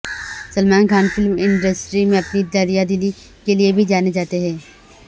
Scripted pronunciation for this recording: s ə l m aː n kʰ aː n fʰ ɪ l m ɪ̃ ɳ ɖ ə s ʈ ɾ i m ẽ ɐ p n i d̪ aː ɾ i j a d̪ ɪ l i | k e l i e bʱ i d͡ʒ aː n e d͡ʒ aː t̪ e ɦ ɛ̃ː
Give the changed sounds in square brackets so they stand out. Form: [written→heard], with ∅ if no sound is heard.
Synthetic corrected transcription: s ə l m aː n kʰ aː n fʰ ɪ l m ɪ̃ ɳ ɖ ə s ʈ ɾ i m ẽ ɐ p n i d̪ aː ɾ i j a d̪ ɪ l i | k e l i e bʱ i d͡ʒ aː n e d͡ʒ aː t̪ e ɦ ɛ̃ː